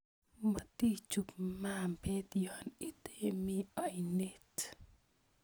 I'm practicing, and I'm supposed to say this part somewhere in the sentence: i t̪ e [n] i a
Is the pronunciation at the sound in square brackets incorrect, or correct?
incorrect